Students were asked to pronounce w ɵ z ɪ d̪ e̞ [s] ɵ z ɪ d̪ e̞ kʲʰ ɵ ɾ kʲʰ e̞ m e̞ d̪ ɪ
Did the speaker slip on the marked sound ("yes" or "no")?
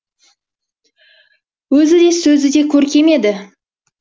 no